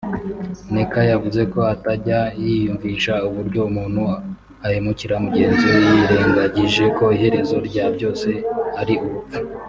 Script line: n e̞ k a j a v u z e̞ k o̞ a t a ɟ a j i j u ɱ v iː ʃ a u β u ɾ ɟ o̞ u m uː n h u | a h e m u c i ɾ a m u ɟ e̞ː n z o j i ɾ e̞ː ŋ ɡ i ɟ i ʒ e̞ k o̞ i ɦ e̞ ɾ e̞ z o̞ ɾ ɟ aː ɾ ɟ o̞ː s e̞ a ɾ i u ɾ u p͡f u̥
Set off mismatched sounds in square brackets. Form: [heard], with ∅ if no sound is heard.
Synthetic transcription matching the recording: n e̞ k a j a v u z e̞ k o̞ a t a ɟ a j i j u ɱ v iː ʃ a u β u ɾ ɟ o̞ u m uː n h u | a h e m u c i ɾ a m u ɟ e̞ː n z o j i ɾ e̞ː ŋ ɡ [a] ɟ i ʒ e̞ k o̞ i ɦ e̞ ɾ e̞ z o̞ ɾ ɟ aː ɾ ɟ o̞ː s e̞ a ɾ i u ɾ u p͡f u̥